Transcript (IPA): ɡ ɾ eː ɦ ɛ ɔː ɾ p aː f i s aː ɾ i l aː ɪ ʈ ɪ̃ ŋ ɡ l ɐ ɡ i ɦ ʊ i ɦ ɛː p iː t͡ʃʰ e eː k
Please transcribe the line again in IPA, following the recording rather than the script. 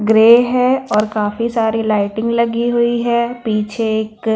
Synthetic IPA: ɡ ɾ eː ɦ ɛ ɔː ɾ k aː f i s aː ɾ i l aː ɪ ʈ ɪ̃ ŋ ɡ l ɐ ɡ i ɦ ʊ i ɦ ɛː p iː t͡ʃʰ e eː k